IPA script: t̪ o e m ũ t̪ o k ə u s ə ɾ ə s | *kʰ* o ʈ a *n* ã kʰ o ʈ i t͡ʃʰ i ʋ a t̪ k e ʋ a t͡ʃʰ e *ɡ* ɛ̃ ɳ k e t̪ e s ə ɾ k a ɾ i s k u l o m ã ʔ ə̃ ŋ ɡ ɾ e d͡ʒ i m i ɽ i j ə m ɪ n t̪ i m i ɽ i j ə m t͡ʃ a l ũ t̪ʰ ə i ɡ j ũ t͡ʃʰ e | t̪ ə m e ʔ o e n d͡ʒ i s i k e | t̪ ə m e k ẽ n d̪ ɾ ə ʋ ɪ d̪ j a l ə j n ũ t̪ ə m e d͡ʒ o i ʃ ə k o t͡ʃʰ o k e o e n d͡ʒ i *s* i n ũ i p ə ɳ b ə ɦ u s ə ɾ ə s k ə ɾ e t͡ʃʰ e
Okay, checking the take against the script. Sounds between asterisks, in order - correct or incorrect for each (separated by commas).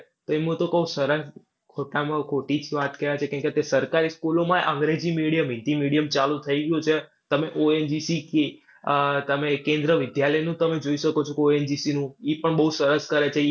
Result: correct, incorrect, incorrect, correct